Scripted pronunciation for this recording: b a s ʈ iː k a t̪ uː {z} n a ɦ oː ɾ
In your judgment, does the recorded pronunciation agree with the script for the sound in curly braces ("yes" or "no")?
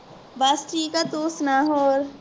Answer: no